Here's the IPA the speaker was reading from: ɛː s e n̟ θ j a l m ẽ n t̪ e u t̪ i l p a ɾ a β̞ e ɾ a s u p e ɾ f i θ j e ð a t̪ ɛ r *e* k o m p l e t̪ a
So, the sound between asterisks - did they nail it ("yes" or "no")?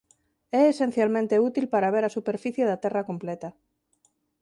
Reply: no